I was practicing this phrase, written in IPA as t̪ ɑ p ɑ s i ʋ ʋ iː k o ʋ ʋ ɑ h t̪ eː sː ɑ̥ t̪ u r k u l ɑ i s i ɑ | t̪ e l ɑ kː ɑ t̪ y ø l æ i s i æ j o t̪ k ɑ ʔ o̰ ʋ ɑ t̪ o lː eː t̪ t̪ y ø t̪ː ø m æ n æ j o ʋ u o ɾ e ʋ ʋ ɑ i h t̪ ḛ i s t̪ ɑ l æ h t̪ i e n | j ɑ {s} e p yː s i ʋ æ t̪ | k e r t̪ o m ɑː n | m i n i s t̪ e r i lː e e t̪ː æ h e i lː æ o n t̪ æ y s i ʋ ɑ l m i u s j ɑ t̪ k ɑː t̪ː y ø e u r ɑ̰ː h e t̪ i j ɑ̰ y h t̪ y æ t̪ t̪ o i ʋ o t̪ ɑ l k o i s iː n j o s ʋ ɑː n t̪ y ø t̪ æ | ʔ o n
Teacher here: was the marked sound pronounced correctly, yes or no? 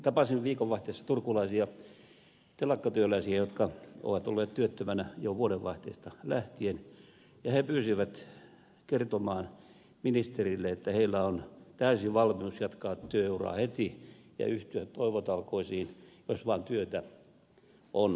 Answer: no